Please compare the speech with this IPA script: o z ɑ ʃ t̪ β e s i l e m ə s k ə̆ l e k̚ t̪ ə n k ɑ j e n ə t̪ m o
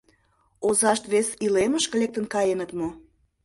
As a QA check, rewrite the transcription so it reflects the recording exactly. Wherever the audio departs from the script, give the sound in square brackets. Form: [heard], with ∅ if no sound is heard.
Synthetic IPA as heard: o z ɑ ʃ t̪ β e s i l e m ə [ʃ] k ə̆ l e k̚ t̪ ə n k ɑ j e n ə t̪ m o